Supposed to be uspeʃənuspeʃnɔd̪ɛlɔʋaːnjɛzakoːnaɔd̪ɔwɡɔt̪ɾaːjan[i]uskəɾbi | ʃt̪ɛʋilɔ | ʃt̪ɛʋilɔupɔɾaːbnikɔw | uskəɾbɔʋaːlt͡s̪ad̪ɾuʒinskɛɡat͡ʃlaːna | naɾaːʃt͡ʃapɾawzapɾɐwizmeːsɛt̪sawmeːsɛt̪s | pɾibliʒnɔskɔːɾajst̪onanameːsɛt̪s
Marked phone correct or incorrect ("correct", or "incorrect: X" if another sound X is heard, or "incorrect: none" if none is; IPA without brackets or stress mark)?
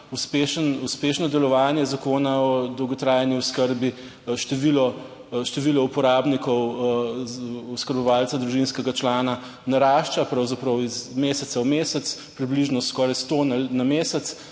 correct